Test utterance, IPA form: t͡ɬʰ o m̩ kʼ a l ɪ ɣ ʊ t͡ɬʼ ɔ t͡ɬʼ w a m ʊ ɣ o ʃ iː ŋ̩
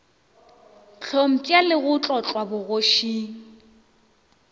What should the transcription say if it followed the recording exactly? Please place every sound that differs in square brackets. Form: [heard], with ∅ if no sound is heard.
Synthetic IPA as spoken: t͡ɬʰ o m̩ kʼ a l ɪ ɣ ʊ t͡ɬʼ ɔ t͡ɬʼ w a [b] ʊ ɣ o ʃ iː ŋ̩